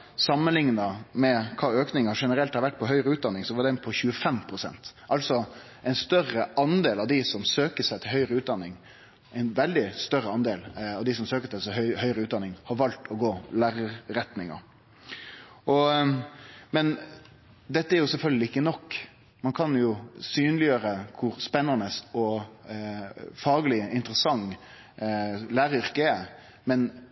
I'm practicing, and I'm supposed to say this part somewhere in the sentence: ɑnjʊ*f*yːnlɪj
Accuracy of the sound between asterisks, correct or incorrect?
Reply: incorrect